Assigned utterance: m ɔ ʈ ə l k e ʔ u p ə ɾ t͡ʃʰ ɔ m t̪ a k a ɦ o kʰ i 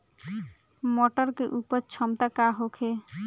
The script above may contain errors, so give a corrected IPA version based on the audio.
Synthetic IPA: m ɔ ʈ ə ɾ k e ʔ u p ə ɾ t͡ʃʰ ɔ m t̪ a k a ɦ o kʰ e